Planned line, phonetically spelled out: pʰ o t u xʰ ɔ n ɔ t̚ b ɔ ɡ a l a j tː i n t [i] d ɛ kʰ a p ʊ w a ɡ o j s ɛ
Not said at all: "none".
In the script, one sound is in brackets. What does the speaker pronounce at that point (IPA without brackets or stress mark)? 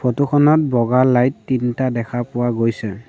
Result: a